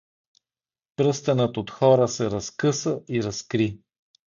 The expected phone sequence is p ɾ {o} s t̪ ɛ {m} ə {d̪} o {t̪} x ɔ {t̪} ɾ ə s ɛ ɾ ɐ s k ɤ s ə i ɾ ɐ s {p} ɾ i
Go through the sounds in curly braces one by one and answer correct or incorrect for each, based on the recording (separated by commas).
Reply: incorrect, incorrect, incorrect, correct, incorrect, incorrect